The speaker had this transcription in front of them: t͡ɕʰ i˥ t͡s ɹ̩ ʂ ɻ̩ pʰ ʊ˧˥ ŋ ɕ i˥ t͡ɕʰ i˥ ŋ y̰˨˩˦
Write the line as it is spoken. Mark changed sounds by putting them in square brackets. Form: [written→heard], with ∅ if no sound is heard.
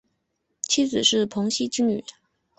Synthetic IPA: t͡ɕʰ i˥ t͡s ɹ̩ ʂ ɻ̩ pʰ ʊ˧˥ ŋ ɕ i˥ [t͡ɕʰ→t͡ɕ] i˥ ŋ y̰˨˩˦